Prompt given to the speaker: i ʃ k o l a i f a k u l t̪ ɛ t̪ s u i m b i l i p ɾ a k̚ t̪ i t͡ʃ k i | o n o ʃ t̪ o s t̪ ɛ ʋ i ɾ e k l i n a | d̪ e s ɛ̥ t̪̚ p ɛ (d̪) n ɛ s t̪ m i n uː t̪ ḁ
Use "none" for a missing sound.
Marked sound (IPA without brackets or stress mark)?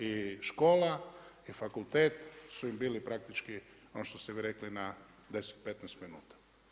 t̪